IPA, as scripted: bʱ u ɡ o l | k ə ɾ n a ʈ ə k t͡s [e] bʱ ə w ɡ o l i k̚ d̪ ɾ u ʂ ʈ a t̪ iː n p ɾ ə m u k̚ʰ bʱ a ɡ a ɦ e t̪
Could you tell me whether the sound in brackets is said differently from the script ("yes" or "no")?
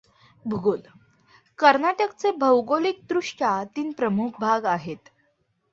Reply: no